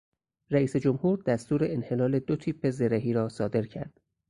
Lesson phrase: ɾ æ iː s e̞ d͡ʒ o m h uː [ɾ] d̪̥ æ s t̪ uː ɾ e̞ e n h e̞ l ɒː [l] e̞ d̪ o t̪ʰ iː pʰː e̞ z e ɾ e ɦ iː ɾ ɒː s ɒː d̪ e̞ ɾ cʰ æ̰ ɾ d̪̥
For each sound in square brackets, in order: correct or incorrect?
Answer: correct, correct

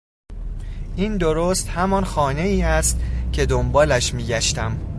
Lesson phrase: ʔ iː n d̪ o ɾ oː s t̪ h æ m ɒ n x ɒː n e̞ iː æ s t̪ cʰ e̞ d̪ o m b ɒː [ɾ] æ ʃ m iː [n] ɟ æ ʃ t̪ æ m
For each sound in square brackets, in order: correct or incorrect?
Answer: incorrect, incorrect

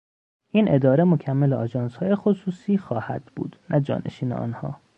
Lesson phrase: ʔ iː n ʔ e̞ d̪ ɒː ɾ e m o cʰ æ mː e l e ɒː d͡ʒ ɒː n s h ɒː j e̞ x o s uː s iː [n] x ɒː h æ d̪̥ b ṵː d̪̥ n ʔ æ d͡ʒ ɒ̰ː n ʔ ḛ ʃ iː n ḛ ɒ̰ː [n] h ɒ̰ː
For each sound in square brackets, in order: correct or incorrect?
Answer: incorrect, correct

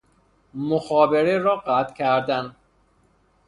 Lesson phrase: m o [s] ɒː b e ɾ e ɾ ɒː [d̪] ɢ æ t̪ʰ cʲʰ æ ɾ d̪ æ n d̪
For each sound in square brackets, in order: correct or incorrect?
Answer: incorrect, incorrect

